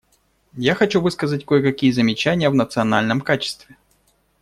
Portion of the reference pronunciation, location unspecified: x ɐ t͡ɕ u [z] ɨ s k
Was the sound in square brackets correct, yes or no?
no